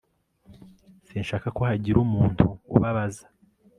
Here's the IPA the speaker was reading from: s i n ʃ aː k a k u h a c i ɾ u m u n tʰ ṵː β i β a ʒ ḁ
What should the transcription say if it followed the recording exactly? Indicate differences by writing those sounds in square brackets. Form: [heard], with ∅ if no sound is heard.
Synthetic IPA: s i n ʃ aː k a k [o] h a [ɟ] i ɾ u m [uː] n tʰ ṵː β [a] β a [z] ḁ